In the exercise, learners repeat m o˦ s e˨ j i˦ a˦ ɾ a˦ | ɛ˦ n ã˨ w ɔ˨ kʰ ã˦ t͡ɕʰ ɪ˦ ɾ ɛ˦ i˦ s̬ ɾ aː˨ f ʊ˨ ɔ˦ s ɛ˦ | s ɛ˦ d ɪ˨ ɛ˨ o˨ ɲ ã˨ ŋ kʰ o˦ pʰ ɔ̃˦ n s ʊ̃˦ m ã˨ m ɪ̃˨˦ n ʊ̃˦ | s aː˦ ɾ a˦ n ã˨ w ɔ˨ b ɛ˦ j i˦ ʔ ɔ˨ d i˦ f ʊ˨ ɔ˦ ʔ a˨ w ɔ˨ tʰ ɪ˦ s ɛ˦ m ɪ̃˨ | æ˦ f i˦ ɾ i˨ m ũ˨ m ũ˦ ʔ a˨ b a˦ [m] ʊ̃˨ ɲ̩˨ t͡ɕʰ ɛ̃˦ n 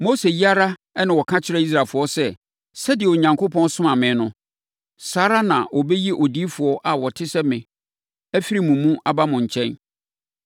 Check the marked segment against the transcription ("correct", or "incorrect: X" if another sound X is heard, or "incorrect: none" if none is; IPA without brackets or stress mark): correct